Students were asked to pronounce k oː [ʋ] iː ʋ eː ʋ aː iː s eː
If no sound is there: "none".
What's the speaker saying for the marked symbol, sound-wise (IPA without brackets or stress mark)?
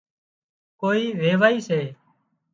none